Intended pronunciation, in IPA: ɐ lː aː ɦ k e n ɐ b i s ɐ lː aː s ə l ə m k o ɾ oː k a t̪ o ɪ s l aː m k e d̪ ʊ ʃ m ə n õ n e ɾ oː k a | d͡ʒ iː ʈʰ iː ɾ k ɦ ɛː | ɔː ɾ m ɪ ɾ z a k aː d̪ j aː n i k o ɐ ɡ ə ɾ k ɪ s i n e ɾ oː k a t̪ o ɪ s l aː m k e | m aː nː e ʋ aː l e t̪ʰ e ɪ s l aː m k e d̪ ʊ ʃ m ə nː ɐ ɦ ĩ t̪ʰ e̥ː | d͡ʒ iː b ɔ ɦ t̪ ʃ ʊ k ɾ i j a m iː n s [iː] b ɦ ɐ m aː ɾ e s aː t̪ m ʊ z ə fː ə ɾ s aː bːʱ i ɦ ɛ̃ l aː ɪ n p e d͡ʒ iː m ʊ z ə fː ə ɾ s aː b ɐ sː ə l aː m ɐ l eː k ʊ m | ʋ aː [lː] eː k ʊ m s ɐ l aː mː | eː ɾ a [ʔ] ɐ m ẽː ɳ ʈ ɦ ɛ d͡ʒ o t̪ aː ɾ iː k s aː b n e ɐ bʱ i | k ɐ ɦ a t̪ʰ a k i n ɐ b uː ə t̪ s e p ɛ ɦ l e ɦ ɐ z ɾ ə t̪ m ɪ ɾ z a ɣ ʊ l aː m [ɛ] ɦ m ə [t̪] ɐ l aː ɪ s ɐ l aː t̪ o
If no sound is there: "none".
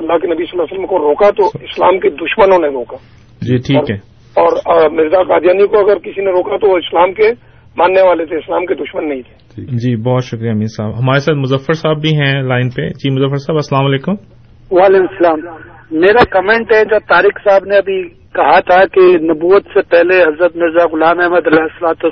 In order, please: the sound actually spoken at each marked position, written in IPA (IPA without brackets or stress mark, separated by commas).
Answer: aː, l, k, ɛ, d̪